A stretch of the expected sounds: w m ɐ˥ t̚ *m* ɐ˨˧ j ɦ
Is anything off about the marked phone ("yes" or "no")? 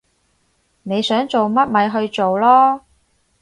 no